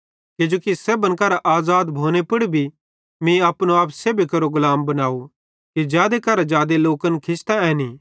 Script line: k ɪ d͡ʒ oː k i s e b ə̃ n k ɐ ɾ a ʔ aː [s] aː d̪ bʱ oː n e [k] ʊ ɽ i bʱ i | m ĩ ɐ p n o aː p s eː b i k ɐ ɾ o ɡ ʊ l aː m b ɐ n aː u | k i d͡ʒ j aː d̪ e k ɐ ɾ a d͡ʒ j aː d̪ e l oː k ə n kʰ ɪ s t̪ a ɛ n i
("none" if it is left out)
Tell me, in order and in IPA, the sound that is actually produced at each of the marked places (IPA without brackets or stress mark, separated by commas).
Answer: z, p